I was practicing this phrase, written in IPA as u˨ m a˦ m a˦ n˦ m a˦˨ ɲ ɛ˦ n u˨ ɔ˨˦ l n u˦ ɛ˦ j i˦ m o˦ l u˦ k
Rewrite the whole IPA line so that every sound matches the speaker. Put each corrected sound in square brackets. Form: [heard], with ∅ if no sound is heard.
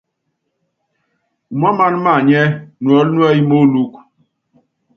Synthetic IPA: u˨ m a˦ m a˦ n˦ m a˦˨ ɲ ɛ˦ n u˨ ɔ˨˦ l n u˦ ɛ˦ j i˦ m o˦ l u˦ k